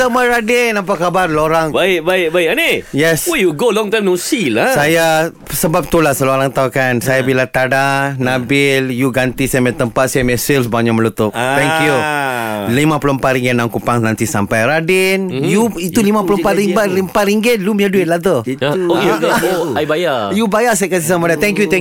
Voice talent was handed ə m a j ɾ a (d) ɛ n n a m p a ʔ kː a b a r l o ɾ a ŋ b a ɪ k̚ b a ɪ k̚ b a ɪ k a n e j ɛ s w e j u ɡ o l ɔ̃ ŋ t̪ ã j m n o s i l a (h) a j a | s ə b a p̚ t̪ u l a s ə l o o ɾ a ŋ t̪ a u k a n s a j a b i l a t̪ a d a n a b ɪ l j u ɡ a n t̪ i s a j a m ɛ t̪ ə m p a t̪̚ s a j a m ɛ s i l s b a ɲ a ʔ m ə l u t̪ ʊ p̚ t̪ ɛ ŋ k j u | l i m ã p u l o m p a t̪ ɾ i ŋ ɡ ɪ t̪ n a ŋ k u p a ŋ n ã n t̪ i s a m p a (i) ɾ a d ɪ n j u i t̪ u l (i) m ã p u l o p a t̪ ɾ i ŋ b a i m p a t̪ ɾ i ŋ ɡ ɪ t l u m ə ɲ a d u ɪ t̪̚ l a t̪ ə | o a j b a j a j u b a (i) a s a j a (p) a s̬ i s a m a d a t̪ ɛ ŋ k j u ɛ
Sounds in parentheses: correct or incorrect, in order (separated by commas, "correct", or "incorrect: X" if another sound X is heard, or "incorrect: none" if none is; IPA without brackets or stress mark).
correct, incorrect: s, incorrect: j, correct, incorrect: j, incorrect: k